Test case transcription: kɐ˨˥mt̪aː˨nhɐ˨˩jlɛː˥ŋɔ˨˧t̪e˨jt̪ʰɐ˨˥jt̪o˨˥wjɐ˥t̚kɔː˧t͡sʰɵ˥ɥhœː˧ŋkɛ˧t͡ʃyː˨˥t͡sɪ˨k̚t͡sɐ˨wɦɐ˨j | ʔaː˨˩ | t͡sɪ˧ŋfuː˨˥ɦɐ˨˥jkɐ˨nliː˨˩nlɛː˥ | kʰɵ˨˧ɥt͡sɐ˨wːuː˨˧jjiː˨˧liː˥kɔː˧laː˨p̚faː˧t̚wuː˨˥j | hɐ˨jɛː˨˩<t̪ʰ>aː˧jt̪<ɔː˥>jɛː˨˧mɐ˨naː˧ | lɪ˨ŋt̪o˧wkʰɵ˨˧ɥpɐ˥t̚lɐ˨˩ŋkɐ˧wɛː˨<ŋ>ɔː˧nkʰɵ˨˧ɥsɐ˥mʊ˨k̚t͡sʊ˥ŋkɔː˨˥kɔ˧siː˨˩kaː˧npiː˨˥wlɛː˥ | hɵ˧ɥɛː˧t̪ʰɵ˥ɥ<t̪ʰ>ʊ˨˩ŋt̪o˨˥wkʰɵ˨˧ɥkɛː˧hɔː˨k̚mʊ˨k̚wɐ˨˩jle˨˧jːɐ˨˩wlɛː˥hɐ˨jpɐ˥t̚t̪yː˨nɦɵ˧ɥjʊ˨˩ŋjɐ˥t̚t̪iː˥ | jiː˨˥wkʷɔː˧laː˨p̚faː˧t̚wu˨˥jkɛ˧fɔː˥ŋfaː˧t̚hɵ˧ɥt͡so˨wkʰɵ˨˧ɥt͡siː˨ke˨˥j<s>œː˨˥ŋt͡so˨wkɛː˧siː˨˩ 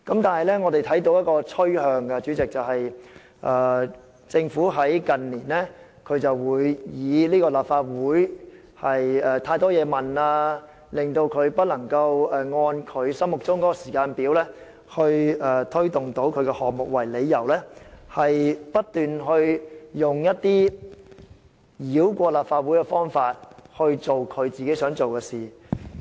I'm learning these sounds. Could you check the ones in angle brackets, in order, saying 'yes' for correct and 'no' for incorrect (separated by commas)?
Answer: yes, yes, yes, no, yes